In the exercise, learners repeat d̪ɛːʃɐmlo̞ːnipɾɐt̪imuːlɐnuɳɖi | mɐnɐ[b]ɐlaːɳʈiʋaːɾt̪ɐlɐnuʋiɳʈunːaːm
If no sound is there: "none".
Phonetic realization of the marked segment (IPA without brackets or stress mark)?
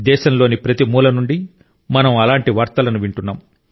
m